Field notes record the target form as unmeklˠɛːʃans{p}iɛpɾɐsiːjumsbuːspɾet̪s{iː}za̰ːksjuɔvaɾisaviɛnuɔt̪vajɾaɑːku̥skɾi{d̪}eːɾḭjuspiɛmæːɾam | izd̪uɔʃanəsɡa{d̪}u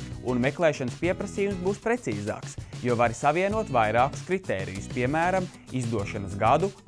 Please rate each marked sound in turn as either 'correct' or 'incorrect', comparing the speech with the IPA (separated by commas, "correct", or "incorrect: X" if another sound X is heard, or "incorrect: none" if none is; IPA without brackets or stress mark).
correct, correct, incorrect: t̪, correct